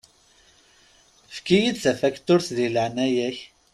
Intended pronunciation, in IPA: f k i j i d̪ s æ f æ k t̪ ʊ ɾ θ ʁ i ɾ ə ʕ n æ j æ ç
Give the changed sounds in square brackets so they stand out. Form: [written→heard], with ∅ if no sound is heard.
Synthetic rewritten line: f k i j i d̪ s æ f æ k t̪ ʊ ɾ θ [ʁ→ð] i [ɾ→l] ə ʕ n æ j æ ç